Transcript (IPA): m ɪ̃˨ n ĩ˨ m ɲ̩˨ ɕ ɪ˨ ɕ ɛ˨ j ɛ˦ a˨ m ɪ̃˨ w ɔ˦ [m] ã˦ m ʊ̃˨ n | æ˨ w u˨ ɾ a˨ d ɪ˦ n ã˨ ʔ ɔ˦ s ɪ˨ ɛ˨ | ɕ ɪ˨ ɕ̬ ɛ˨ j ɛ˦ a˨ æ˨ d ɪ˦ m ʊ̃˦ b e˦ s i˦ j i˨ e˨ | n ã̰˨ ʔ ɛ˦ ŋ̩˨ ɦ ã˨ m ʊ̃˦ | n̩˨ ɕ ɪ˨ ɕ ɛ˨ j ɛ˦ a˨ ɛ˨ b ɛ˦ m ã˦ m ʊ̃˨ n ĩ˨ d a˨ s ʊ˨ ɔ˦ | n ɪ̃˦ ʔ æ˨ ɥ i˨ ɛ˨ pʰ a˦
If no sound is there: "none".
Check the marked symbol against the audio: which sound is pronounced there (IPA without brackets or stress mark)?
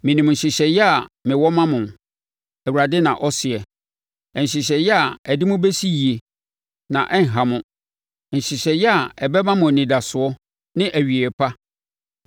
m